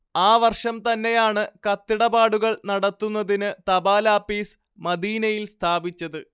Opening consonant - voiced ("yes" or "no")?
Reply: yes